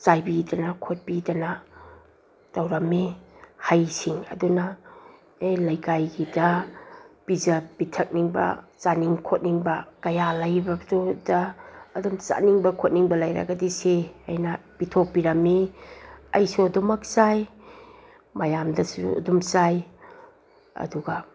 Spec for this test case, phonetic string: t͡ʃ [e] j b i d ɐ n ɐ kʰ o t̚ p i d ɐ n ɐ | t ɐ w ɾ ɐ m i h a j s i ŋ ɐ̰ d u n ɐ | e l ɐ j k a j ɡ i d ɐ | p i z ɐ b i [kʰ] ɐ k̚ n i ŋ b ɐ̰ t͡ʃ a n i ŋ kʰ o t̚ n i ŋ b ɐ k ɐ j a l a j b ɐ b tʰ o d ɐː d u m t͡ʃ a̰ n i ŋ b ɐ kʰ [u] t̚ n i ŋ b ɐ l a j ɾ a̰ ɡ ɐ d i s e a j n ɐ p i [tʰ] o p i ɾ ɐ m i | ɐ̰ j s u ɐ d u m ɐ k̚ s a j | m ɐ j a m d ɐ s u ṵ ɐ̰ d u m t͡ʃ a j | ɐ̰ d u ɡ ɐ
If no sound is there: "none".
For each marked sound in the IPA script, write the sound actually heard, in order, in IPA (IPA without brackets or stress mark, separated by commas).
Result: a, tʰ, o, tʰ